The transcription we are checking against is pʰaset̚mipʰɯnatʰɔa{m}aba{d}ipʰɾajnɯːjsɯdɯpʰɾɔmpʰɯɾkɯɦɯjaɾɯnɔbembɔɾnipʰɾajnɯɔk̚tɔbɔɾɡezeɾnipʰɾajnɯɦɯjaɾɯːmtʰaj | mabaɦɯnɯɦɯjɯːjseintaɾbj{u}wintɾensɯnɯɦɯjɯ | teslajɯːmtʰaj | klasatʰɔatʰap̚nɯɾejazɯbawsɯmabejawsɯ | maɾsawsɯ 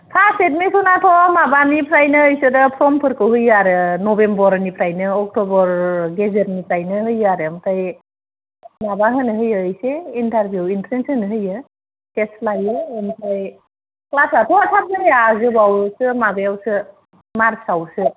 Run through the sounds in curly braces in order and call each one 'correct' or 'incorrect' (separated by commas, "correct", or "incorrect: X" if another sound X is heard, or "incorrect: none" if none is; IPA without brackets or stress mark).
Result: correct, incorrect: n, correct